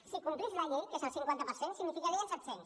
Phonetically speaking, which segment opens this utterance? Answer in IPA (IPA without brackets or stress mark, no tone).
s